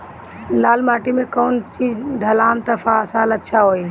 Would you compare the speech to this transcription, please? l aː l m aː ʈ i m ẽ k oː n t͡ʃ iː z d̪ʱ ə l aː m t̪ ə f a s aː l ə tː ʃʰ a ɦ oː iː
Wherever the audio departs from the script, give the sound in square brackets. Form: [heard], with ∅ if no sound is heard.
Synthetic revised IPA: l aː l m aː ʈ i m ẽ k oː n t͡ʃ iː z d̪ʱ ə l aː m t̪ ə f a s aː l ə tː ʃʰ a ɦ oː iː